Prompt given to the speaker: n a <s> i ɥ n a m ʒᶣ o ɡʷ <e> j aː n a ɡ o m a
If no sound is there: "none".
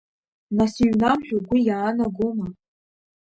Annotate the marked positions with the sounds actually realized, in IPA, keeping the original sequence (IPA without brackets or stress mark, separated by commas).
s, i